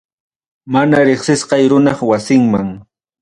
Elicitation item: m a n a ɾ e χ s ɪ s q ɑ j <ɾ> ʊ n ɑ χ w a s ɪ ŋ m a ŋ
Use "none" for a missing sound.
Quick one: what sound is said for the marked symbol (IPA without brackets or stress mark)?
ɾ